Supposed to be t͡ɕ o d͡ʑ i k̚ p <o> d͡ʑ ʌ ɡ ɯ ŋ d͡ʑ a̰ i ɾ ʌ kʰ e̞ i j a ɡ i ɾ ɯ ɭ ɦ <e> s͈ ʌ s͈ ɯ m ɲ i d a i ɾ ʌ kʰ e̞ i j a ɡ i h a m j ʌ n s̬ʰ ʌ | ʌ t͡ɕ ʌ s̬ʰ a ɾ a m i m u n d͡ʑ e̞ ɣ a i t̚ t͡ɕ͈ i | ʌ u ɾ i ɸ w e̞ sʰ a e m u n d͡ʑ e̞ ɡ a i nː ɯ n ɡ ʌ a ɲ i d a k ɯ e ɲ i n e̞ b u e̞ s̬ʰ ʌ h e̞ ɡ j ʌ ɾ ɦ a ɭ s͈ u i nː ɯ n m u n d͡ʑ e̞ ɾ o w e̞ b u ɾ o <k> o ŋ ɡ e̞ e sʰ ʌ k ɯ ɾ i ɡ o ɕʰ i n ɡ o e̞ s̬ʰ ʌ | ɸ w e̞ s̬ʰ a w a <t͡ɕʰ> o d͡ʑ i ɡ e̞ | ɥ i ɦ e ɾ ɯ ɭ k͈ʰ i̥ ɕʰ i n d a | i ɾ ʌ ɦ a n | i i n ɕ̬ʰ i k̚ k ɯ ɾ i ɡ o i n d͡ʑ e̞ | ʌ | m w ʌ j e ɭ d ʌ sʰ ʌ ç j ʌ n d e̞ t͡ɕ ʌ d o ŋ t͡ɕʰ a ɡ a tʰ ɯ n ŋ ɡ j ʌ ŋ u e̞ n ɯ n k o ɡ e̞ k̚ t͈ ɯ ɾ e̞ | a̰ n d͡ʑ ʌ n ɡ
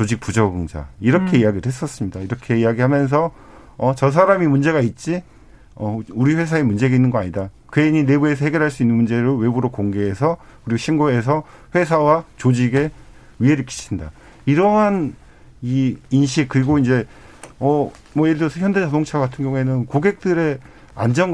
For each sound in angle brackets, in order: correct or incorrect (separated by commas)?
incorrect, correct, correct, incorrect